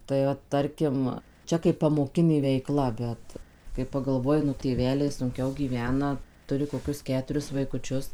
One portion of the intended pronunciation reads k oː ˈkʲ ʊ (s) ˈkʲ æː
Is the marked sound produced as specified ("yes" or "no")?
yes